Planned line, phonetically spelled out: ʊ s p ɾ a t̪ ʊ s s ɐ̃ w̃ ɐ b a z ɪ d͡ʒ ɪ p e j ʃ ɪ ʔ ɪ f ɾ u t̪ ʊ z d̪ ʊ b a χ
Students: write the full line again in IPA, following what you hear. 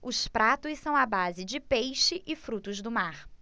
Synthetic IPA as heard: ʊ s p ɾ a t̪ ʊ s s ɐ̃ w̃ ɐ b a z ɪ d͡ʒ ɪ p e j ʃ ɪ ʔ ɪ f ɾ u t̪ ʊ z d̪ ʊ m a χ